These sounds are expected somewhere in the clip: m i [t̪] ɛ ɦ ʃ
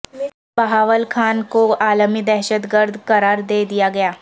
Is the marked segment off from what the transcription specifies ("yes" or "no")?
yes